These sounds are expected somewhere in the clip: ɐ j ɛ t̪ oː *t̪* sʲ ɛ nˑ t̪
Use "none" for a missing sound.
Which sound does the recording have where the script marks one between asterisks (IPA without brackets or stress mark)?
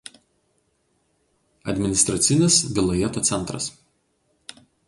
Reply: t̪